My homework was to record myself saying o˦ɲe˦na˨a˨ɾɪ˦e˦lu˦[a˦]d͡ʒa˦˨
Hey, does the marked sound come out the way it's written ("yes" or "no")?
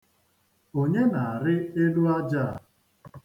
yes